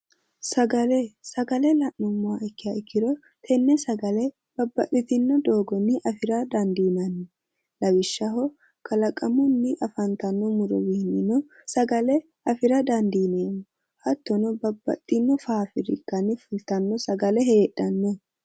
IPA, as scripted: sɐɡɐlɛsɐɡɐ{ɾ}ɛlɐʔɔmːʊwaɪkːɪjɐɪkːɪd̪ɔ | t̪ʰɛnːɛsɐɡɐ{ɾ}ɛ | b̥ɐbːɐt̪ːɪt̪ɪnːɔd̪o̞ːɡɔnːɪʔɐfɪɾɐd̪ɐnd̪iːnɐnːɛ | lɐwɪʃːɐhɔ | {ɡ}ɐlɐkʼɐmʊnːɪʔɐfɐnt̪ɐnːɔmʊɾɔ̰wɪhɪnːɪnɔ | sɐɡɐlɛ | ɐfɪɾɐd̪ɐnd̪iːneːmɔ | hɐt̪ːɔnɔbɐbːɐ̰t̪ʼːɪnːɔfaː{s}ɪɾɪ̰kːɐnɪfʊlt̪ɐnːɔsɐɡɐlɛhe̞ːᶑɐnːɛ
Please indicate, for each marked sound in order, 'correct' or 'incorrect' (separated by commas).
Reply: incorrect, incorrect, incorrect, incorrect